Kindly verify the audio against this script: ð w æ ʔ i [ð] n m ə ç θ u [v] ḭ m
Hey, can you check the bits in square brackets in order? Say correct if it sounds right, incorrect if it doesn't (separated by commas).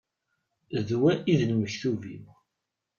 correct, correct